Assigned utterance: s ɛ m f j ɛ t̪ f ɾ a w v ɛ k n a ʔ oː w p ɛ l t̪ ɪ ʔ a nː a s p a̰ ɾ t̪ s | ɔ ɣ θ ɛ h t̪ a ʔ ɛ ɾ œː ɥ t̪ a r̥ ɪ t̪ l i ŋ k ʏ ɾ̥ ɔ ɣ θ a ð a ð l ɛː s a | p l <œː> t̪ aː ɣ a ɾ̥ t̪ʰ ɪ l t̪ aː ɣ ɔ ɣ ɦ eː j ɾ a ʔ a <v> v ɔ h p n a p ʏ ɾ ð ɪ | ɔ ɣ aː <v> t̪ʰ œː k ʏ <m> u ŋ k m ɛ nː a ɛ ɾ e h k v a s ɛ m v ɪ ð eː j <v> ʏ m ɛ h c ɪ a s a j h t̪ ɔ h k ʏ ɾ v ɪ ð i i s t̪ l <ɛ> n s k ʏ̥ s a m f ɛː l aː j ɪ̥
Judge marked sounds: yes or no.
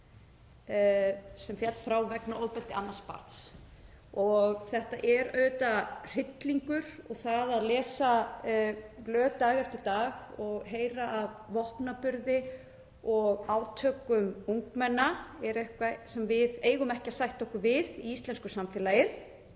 yes, yes, no, yes, no, yes

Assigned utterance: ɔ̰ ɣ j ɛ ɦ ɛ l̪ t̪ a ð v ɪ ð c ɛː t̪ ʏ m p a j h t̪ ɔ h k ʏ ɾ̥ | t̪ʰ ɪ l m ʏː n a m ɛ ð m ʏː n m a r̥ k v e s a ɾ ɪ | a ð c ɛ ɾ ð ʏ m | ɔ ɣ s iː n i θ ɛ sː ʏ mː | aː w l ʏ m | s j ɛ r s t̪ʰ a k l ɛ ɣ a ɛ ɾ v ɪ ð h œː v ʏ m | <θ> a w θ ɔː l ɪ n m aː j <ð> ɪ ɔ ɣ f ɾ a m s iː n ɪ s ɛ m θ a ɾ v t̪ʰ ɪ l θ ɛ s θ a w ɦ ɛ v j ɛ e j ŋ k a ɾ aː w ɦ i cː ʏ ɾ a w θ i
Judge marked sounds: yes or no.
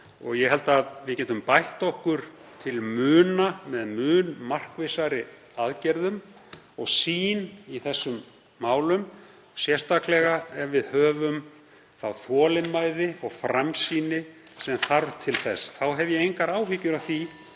yes, yes

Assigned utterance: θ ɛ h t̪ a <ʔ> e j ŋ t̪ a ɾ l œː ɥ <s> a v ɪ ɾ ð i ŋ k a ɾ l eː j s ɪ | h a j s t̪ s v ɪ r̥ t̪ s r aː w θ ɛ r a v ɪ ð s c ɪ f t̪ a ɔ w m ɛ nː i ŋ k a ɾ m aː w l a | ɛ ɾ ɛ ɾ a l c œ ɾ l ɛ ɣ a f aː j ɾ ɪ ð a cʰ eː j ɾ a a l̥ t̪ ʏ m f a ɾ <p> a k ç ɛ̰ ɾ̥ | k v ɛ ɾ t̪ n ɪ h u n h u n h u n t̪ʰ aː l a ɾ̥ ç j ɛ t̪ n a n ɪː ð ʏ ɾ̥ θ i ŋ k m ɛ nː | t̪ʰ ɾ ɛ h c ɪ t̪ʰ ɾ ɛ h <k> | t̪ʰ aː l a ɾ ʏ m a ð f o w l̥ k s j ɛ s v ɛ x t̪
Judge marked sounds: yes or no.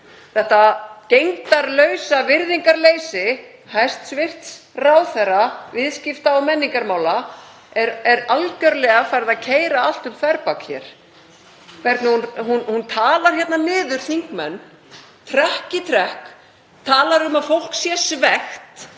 no, yes, yes, yes

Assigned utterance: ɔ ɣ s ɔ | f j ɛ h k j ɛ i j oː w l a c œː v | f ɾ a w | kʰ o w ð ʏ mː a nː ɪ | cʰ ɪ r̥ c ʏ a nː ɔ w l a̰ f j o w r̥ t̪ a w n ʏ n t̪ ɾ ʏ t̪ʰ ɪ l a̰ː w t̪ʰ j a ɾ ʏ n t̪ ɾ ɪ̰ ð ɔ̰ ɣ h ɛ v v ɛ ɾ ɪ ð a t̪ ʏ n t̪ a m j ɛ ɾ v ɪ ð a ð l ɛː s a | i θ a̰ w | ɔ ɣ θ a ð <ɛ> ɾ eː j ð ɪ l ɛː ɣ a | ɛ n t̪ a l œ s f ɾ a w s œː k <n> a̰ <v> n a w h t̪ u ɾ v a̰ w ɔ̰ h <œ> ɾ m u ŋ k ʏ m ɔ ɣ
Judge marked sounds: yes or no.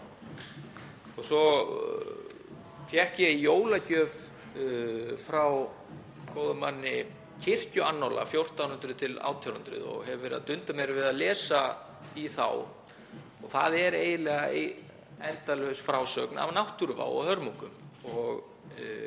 yes, yes, yes, yes

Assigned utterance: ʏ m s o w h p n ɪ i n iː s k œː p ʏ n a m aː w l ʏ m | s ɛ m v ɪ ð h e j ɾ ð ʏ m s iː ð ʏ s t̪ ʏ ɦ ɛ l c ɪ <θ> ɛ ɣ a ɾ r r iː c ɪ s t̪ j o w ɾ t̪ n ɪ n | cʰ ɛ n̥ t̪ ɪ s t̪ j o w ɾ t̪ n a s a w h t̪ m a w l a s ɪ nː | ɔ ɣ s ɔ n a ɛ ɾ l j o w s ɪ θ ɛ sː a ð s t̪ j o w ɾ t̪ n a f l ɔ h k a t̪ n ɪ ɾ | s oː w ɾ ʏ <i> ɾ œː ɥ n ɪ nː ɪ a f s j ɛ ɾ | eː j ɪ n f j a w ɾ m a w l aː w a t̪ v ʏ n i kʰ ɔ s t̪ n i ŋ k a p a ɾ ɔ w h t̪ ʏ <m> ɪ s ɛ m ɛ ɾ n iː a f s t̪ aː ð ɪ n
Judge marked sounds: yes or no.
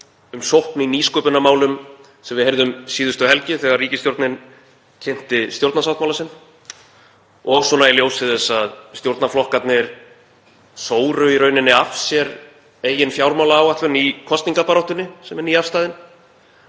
yes, yes, no

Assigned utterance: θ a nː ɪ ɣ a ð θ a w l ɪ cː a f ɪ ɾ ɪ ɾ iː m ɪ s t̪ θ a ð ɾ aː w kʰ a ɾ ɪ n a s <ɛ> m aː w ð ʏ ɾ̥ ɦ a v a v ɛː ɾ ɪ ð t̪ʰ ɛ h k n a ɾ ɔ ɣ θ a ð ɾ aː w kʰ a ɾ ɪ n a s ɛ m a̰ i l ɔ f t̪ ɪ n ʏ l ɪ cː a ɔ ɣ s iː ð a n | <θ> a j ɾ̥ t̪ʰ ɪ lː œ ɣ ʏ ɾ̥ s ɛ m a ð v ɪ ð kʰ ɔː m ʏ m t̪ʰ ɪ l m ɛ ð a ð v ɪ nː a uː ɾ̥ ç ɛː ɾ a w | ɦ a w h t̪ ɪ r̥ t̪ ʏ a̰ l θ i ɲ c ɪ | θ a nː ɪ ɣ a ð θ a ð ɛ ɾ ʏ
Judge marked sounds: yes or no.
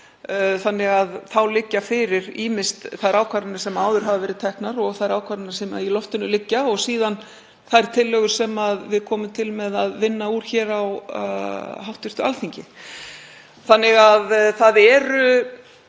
yes, yes

